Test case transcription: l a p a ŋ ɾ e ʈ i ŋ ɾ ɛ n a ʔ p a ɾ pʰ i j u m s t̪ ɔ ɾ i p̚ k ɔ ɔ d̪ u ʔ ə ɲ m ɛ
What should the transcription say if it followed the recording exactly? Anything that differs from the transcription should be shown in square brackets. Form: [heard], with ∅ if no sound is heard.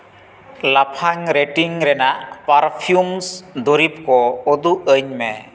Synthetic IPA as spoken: l a [pʰ] a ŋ ɾ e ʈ i ŋ ɾ ɛ n a ʔ p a ɾ pʰ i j u m s [d̪] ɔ ɾ i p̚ k ɔ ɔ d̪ u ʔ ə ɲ m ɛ